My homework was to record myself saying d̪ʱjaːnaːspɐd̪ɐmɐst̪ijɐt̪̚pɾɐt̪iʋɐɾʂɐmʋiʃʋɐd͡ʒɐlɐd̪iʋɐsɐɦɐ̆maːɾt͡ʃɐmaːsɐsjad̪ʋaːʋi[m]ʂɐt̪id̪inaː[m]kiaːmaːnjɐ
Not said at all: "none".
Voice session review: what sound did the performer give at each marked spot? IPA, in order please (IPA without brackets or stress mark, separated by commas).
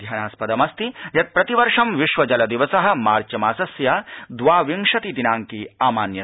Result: ŋ, ŋ